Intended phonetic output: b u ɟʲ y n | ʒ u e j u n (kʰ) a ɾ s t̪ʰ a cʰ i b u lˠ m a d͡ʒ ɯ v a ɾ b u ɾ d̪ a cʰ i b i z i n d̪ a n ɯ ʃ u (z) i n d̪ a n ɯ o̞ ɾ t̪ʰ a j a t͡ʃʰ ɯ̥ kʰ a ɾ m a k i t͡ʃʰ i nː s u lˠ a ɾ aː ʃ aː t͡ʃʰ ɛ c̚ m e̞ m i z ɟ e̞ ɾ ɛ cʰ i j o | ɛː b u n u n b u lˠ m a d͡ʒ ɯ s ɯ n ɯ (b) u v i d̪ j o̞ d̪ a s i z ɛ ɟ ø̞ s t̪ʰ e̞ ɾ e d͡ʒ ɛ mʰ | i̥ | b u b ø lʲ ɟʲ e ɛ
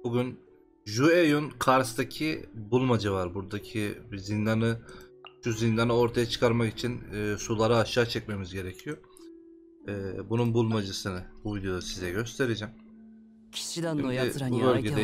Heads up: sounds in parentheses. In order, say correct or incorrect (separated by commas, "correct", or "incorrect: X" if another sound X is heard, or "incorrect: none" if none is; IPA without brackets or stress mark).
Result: correct, correct, correct